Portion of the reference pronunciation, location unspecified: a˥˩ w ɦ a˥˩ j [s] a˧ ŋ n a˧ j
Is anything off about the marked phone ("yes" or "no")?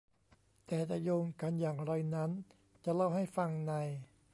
yes